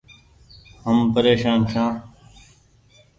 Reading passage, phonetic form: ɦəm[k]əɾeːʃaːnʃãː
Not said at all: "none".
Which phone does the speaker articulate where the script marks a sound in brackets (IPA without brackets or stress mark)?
p